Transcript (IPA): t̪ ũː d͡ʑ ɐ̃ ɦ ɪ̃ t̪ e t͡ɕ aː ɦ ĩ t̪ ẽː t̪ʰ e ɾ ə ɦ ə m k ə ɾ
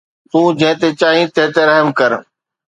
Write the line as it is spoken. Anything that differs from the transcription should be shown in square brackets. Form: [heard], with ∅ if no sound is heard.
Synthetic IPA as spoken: t̪ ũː d͡ʑ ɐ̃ ɦ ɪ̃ t̪ e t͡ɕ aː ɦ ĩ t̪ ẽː [t̪] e ɾ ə ɦ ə m k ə ɾ